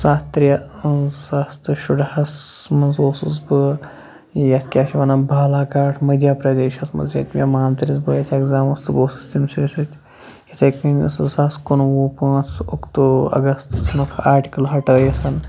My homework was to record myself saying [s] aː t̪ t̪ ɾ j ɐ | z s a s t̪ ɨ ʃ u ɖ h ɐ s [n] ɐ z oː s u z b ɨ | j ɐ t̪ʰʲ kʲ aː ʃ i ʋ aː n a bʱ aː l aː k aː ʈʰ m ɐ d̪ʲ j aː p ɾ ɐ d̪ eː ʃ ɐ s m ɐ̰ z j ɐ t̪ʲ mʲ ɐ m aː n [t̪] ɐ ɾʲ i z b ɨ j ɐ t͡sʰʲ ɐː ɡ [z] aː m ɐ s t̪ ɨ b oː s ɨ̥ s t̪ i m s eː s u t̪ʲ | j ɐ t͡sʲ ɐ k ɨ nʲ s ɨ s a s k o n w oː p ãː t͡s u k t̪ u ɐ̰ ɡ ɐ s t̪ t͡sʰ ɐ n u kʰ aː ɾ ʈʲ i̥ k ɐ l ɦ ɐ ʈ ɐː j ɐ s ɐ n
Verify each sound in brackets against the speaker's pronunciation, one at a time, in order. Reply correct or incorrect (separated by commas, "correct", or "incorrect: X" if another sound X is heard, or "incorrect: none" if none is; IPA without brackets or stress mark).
correct, incorrect: m, correct, correct